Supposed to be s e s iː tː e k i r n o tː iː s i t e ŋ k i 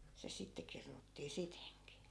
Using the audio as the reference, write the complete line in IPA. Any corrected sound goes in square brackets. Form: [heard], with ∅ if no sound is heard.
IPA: s e s [i] tː e k i r n [u] tː iː s i t e ŋ k i